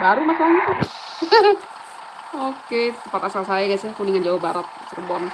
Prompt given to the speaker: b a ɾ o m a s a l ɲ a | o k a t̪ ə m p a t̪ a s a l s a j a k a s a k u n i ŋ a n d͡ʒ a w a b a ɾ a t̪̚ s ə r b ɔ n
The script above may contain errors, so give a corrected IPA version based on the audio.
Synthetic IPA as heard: b a ɾ u m a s a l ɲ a | o k e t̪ ə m p a t̪ a s a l s a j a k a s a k u n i ŋ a n d͡ʒ a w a b a ɾ a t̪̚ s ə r b ɔ n